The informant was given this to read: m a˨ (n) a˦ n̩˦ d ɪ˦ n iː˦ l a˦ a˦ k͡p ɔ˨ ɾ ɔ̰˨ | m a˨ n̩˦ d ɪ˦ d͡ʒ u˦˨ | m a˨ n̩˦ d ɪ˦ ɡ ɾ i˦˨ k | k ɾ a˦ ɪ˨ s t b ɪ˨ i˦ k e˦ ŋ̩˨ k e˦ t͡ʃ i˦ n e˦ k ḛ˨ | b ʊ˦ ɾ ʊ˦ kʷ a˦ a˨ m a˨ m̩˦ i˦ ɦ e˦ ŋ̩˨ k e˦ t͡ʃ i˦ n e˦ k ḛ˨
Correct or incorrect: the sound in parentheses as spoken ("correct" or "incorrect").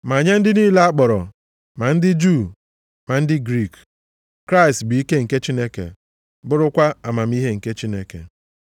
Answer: incorrect